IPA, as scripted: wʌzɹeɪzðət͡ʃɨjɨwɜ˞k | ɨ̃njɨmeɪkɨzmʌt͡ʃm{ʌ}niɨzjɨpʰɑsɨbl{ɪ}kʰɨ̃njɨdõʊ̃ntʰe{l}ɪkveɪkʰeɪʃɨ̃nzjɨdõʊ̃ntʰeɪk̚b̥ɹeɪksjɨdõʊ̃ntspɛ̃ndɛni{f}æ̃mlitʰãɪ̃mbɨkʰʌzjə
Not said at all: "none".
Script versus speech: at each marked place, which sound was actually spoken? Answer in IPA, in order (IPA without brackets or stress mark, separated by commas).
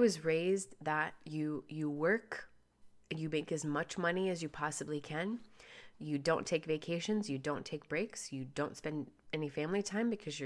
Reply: ʌ, i, none, f